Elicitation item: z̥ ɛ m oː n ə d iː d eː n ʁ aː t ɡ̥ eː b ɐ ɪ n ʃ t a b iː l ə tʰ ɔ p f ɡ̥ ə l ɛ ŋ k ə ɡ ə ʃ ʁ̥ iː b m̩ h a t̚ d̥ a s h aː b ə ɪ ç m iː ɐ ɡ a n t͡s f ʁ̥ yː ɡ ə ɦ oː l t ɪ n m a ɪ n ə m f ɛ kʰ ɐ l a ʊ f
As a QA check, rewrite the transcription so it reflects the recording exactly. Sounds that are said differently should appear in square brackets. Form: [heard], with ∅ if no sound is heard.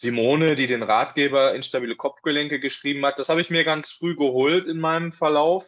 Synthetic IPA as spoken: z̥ [i] m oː n ə d iː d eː n ʁ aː t ɡ̥ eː b ɐ ɪ n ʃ t a b iː l ə [kʰ] ɔ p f ɡ̥ ə l ɛ ŋ k ə ɡ ə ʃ ʁ̥ iː b m̩ h a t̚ d̥ a s h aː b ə ɪ ç m iː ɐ ɡ a n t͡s f ʁ̥ yː ɡ ə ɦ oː l t ɪ n m a ɪ n ə m f ɛ [∅] ɐ l a ʊ f